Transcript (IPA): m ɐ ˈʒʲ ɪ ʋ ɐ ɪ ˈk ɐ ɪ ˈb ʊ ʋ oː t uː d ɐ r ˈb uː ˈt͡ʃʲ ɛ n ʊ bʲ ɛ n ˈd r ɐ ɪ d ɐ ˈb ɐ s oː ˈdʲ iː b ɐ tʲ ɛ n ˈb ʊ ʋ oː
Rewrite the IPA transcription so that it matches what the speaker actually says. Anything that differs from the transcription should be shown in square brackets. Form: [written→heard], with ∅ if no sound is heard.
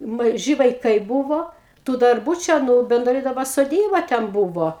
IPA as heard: m ɐ ˈʒʲ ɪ ʋ ɐ ɪ ˈk ɐ ɪ ˈb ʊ ʋ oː t uː d ɐ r ˈb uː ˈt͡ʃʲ ɛ n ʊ bʲ ɛ n ˈd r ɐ ɪ d ɐ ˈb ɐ s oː ˈdʲ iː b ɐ tʲ ɛ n ˈb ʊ ʋ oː